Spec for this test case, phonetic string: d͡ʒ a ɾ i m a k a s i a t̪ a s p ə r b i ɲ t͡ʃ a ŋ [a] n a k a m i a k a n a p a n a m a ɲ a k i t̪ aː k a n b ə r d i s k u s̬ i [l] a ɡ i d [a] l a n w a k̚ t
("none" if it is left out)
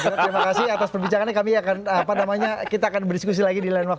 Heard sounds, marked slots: a, l, i

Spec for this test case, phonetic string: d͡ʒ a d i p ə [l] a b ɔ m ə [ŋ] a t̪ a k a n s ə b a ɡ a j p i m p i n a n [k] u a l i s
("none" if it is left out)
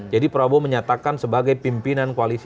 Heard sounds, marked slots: ɾ, ɲ, k

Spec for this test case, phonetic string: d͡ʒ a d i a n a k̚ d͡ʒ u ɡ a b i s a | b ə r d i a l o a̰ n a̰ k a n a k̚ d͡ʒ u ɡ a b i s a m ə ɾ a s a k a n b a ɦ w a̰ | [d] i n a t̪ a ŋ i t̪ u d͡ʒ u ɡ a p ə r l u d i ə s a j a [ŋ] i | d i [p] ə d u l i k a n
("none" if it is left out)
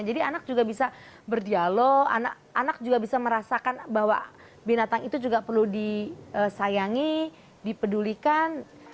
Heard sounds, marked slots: b, ŋ, p

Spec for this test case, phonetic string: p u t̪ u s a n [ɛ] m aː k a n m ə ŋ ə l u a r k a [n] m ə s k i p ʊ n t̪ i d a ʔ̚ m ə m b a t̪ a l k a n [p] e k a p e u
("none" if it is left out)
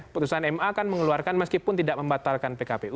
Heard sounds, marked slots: ɛ, n, p

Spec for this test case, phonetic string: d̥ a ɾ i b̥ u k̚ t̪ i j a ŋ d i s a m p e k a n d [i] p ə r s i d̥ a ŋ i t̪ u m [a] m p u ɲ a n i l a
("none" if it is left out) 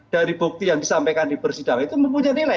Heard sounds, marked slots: i, ə

